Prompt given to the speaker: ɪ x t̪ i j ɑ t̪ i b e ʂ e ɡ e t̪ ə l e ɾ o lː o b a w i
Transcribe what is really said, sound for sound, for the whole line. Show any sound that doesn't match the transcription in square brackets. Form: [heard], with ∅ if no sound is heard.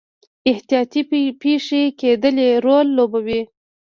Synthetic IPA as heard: ɪ [h] t̪ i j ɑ t̪ i [p] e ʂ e [k] e [d̪] ə l e ɾ o lː o b a w i